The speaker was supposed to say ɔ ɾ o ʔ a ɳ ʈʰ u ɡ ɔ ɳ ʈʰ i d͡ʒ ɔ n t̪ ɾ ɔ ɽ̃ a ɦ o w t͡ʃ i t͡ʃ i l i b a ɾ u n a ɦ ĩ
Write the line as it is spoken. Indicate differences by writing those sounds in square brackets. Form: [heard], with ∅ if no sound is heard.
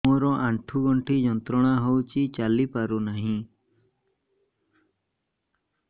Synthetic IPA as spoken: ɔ ɾ [ɔ] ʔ a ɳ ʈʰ u ɡ ɔ ɳ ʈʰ i d͡ʒ ɔ n t̪ ɾ ɔ ɽ̃ a ɦ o w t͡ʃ i t͡ʃ [a] l i [p] a ɾ u n a ɦ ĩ